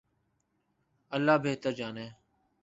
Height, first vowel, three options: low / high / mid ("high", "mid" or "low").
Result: mid